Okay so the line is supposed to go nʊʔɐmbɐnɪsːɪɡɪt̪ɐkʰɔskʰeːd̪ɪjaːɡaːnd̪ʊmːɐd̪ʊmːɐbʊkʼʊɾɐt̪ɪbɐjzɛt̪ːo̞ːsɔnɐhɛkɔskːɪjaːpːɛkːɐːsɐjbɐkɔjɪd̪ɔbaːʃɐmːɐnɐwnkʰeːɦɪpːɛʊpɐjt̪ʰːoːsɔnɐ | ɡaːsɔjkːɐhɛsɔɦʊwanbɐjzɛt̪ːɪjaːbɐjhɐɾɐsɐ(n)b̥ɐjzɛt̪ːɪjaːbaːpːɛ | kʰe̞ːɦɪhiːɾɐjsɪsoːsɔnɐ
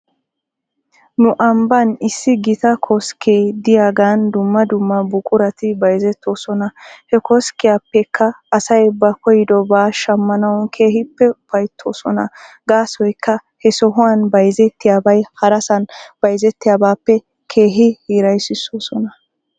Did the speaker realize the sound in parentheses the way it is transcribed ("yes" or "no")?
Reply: yes